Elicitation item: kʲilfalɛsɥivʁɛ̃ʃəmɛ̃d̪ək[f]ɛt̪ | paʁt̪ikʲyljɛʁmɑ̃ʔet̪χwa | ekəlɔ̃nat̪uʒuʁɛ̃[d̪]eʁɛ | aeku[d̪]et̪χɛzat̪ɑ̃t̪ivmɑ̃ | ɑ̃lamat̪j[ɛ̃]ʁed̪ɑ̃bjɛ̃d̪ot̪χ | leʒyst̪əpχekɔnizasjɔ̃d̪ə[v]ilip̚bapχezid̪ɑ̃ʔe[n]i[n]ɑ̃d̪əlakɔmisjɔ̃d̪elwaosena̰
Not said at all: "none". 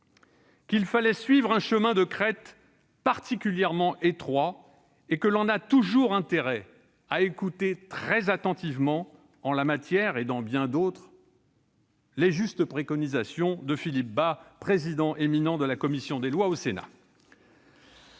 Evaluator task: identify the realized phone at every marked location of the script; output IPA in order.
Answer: χ, t̪, t̪, ɛ, f, m, n

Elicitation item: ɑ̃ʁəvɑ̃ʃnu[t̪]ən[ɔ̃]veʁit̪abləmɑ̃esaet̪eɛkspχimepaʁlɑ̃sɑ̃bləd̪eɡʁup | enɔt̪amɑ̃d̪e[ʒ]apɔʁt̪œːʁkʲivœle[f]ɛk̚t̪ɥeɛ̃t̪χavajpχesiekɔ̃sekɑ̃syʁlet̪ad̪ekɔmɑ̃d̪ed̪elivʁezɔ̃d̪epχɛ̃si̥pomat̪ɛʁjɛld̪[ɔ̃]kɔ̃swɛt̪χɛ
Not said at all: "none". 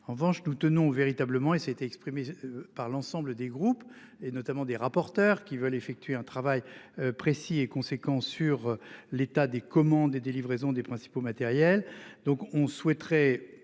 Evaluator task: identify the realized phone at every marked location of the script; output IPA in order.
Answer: t̪, ɔ̃, ʁ, f, ɔ̃

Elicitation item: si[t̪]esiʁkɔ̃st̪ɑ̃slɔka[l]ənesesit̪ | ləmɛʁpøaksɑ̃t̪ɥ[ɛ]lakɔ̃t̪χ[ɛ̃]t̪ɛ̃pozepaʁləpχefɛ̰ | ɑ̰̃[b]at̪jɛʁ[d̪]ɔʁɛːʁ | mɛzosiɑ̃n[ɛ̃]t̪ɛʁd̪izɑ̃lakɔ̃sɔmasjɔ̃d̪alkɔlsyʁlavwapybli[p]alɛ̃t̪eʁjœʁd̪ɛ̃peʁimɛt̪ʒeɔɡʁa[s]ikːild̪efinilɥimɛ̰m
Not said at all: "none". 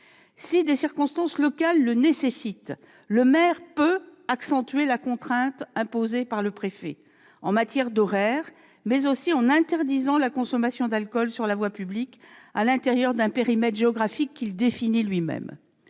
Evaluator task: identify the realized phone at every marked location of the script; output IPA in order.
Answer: d̪, lː, e, ɛ̃, m, d̪, ɛ̃, k, f

